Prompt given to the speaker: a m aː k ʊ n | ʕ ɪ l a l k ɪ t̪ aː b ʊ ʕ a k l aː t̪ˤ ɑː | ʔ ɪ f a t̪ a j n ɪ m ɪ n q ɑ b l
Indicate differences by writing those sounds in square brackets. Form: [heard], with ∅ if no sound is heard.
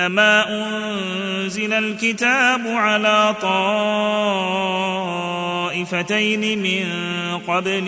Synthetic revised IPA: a m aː [ʔ] ʊ n | [z] ɪ l a l k ɪ t̪ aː b ʊ ʕ a [∅] l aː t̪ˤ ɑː | ʔ ɪ f a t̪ a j n ɪ m ɪ n q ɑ b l